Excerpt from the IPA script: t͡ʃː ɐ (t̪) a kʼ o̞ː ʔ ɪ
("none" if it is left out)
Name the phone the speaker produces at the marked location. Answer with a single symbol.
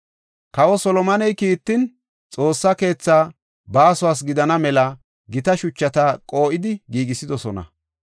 t̪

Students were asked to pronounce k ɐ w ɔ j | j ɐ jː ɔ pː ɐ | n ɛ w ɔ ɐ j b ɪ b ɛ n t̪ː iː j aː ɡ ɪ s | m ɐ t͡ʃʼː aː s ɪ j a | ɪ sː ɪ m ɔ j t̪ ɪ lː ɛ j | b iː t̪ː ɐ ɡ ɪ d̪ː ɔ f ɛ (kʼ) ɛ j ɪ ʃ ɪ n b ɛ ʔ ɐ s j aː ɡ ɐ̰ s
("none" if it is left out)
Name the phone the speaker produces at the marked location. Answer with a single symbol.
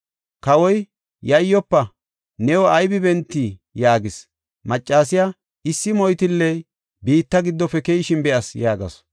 k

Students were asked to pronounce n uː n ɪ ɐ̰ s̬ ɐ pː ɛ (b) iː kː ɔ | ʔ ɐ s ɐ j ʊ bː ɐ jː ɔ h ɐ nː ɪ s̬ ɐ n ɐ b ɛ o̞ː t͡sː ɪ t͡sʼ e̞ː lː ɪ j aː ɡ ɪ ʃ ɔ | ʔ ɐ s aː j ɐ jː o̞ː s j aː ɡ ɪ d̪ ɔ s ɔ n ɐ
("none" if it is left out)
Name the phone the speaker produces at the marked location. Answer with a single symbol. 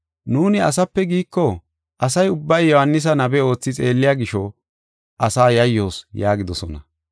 ɡ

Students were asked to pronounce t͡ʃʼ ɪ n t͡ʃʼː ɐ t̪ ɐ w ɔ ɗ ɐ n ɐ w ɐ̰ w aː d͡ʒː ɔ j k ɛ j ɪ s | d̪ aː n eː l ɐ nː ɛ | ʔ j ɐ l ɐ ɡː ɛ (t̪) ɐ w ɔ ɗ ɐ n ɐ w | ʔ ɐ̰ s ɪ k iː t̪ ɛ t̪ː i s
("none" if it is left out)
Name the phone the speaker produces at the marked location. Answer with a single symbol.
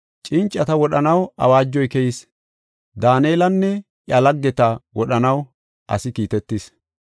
t̪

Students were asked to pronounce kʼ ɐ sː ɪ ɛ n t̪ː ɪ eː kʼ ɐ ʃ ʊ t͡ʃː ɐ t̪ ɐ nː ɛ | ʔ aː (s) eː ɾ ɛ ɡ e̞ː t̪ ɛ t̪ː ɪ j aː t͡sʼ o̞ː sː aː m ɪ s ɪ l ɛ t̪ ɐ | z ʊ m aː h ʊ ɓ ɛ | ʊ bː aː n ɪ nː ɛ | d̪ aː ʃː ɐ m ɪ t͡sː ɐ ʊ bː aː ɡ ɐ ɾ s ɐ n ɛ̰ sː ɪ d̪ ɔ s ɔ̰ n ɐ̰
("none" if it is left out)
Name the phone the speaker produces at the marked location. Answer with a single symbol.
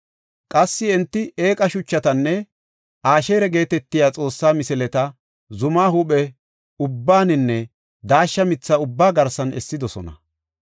ʃ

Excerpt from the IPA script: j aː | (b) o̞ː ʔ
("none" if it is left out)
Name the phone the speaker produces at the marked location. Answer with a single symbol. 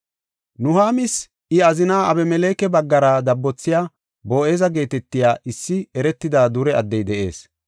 b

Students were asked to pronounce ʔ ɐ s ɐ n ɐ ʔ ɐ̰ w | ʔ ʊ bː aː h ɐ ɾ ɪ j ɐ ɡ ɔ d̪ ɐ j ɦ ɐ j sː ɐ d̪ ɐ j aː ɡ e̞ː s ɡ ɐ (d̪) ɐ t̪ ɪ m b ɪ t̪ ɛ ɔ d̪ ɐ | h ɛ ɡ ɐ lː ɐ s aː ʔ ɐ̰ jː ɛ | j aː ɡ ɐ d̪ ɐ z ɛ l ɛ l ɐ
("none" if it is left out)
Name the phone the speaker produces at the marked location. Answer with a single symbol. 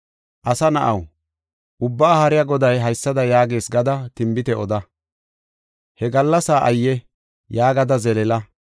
d̪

